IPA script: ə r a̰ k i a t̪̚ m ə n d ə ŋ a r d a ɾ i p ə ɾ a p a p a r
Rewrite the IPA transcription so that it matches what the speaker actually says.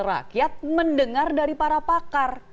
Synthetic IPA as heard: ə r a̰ k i a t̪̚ m ə n d ə ŋ a r d a ɾ i p a ɾ a p a k a r